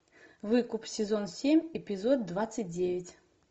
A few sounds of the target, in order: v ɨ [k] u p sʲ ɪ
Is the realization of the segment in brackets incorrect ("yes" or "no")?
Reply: no